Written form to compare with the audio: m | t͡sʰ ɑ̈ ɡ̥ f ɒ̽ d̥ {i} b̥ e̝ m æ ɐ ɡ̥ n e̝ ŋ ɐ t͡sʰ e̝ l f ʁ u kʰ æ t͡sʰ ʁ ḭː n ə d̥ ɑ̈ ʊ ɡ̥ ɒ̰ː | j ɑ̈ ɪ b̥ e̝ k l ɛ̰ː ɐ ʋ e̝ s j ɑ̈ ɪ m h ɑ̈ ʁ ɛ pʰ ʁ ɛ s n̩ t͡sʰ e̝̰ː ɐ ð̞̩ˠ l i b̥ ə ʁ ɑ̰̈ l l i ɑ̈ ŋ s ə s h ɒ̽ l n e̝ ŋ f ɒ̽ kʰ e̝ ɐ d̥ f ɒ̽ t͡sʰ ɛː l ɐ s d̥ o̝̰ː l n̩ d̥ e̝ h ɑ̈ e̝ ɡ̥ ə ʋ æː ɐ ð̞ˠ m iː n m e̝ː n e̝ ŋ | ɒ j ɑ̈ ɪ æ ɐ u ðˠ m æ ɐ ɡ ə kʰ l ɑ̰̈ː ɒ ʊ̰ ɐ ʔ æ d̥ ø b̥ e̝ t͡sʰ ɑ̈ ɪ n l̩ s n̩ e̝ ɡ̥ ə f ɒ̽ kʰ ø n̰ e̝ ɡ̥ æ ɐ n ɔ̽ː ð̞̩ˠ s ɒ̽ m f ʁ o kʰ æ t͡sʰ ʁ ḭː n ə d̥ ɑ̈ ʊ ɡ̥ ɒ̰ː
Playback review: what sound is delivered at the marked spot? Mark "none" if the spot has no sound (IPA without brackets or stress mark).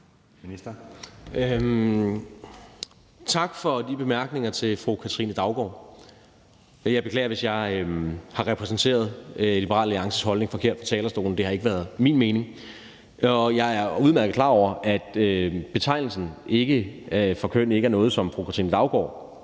i